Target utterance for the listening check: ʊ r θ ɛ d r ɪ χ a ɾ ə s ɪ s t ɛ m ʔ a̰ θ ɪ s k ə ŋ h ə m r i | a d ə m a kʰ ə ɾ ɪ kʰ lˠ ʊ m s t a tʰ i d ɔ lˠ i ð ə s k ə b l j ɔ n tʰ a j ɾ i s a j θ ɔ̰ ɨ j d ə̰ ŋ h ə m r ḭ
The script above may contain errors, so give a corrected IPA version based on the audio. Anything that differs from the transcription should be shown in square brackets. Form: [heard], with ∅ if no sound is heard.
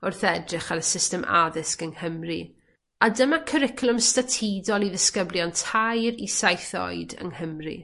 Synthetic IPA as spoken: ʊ r θ ɛ d r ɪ χ a ɾ ə s ɪ s t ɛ m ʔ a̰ [ð] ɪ s k ə ŋ h ə m r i | a d ə m a kʰ ə ɾ ɪ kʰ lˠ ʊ m s t a tʰ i d ɔ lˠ i ð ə s k ə b l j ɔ n tʰ a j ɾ i s a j θ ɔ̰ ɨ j d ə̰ ŋ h ə m r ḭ